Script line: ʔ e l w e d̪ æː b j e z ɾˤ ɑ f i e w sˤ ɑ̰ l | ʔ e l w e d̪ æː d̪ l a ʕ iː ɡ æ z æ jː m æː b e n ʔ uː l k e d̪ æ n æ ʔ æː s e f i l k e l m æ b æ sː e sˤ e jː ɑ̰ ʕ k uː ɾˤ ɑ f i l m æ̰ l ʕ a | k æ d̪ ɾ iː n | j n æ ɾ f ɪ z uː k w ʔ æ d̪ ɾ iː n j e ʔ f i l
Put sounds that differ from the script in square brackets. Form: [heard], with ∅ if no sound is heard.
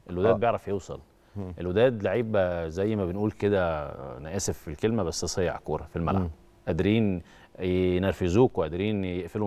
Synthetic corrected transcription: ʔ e l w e d̪ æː b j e [ʕ] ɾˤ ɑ f [j] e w sˤ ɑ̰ l | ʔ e l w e d̪ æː d̪ l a ʕ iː [b] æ z æ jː m [æ] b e n ʔ uː l k e d̪ æ n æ ʔ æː s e f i l k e l m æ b æ sː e sˤ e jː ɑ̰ ʕ k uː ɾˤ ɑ f i l m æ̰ l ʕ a | [ʔ] æ d̪ ɾ iː n | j n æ ɾ f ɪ z uː k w ʔ æ d̪ ɾ iː n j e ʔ f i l